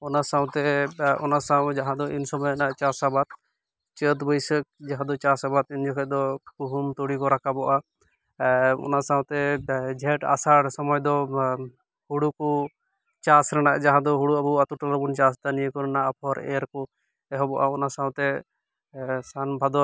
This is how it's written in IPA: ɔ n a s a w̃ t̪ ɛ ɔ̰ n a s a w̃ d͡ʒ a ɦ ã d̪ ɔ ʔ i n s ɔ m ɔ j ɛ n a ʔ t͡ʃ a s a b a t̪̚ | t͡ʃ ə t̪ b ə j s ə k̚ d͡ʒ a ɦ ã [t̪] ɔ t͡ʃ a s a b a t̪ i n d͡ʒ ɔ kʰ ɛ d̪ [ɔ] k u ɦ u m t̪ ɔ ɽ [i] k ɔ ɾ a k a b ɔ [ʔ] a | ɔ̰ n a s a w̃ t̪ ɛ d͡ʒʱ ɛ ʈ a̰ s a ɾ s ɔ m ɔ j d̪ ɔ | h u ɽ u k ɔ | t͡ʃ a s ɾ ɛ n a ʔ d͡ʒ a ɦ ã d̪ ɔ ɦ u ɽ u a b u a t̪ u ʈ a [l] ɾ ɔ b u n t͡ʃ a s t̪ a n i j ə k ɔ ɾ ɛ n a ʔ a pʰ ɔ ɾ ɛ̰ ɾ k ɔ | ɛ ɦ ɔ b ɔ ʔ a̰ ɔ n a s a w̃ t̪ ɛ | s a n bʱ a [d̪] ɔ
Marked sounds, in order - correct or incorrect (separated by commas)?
incorrect, correct, correct, correct, correct, correct